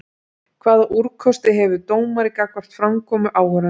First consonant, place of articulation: velar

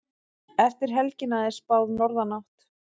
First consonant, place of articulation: labial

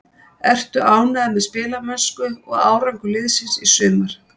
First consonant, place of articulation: alveolar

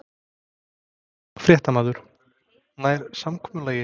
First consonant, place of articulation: labial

